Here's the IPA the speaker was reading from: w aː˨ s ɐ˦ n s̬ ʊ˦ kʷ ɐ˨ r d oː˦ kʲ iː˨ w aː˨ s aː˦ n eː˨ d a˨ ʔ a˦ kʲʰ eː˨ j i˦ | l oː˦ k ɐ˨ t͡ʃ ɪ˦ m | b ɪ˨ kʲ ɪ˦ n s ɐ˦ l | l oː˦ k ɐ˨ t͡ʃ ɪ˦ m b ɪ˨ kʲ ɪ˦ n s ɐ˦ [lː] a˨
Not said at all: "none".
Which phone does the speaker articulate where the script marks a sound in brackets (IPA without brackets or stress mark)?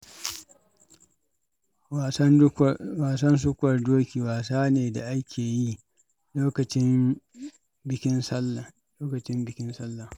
lː